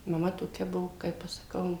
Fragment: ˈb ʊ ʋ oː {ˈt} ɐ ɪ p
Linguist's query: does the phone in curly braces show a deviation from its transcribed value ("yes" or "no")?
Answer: yes